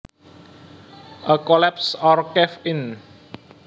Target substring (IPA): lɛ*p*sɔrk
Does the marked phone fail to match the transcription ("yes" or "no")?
no